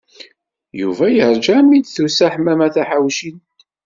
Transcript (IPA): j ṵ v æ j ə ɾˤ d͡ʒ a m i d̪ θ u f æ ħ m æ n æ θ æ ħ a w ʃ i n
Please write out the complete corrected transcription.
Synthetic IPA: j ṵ v æ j ə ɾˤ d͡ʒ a m i d̪ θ u s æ ħ m æ m æ θ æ ħ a w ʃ i n